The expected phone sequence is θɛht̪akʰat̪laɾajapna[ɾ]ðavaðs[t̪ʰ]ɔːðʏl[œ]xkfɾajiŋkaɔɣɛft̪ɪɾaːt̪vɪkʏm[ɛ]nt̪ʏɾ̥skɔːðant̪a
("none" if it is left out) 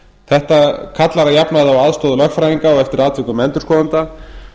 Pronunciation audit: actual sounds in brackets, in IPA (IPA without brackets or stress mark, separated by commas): none, t̪, œ, ɛ